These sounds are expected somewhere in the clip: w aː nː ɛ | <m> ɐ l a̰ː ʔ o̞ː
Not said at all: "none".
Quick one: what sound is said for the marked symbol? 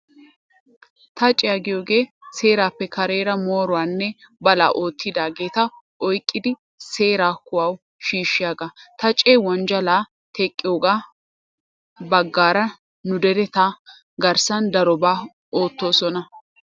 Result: b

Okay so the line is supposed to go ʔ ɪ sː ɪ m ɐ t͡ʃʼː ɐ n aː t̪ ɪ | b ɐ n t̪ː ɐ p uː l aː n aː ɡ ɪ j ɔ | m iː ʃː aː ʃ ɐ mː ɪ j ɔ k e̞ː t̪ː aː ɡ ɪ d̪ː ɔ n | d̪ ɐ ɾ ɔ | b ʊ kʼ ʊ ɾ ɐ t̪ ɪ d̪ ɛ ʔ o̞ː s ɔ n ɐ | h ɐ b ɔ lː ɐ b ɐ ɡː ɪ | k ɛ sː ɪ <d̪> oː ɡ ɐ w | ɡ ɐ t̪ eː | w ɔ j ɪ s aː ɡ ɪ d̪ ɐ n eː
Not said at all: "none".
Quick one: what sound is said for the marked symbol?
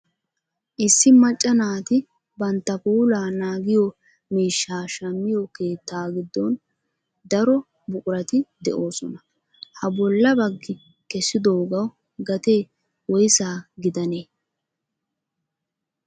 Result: d̪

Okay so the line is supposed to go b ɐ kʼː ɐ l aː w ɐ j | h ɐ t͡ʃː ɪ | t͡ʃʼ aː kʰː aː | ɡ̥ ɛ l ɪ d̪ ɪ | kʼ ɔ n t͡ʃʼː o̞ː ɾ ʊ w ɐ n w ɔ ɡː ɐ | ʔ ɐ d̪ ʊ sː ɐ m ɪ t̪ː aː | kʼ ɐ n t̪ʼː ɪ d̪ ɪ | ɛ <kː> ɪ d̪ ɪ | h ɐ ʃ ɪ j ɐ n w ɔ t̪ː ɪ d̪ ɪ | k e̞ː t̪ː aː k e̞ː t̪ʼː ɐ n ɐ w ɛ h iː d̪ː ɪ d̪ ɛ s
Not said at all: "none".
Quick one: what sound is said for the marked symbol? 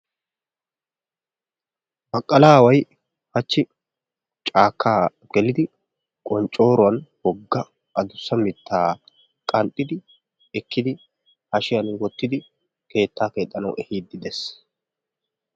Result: kː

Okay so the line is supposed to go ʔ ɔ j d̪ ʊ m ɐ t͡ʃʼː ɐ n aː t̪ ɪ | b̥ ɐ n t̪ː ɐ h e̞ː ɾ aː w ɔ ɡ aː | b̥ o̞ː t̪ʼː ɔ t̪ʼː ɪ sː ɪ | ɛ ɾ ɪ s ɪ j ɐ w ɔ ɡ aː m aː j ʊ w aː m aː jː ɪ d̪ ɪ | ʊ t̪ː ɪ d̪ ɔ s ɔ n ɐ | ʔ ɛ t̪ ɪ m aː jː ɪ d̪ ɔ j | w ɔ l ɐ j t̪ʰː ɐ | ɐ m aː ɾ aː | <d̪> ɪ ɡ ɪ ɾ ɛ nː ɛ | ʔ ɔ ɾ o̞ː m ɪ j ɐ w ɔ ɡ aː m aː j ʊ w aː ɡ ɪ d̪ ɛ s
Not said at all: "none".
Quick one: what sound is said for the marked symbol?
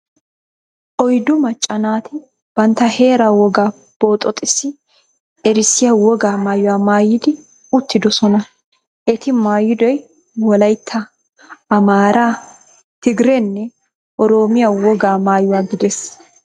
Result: t̪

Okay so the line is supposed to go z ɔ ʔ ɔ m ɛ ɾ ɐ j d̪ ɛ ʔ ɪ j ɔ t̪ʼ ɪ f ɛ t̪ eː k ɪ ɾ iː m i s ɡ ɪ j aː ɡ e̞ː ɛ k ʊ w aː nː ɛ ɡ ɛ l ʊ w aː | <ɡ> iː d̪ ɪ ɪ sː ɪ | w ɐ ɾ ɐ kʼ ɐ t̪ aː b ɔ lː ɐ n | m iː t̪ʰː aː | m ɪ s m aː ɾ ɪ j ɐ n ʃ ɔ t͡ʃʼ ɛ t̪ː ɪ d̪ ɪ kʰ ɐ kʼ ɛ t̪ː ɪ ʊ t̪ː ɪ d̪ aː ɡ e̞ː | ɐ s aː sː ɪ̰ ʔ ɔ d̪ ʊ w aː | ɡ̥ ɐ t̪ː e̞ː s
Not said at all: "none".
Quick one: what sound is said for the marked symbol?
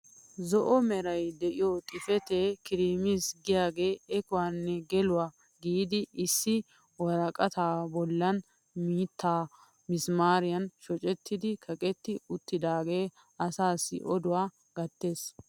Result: ɡ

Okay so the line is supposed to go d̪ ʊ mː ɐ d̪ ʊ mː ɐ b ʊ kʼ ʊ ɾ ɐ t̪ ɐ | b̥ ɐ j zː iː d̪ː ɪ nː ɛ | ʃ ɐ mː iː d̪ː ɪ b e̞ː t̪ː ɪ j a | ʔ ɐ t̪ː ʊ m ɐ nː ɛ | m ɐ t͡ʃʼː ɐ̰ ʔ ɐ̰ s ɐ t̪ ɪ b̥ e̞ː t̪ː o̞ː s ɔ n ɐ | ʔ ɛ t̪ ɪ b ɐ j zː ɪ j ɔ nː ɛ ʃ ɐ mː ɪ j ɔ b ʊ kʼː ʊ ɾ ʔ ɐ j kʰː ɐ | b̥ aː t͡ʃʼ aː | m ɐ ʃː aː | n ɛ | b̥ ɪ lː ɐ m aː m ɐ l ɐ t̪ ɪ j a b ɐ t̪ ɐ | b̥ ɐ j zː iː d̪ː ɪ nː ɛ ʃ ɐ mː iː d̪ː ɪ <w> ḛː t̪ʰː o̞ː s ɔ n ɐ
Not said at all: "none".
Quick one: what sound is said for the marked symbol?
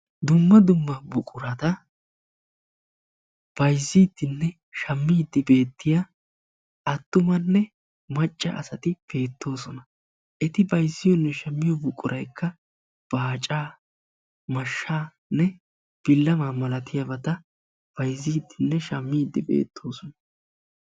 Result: b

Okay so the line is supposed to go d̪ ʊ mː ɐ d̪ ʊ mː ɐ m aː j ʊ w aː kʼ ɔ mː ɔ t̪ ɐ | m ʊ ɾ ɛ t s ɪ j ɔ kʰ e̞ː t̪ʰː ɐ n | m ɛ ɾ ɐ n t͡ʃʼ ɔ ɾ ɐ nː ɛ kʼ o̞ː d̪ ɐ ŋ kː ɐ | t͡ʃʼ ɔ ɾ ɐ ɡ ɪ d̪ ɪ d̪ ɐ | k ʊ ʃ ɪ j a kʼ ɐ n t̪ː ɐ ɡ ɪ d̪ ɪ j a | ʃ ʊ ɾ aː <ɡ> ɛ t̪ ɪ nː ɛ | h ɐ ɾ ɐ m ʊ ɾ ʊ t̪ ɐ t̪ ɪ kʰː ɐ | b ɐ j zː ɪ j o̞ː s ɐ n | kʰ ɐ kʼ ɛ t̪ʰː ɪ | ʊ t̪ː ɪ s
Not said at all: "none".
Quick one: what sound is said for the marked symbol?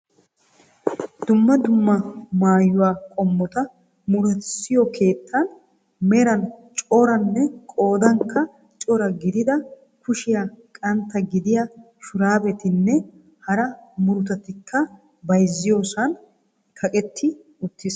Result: b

